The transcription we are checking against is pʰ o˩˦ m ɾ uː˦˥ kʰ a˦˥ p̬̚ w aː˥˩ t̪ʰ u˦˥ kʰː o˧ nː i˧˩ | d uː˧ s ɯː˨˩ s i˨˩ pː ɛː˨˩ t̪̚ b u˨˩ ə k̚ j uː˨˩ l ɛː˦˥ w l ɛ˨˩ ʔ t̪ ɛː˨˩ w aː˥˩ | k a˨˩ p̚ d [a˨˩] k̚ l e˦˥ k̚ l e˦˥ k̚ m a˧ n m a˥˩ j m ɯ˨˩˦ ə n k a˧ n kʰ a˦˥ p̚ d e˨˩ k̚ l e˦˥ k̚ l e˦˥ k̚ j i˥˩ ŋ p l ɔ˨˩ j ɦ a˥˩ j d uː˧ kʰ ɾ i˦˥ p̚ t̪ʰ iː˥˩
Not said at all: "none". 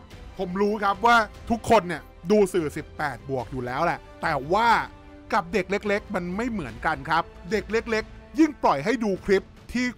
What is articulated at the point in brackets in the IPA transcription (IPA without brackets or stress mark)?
e˨˩